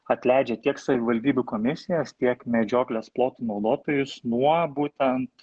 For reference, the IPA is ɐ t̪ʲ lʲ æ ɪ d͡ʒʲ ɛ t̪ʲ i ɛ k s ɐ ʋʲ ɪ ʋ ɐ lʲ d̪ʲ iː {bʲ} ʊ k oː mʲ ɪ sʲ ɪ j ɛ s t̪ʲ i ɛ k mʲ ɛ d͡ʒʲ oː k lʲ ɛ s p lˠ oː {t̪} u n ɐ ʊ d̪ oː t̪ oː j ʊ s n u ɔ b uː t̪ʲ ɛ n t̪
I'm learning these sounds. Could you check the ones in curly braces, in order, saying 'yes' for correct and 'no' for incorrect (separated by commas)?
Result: yes, yes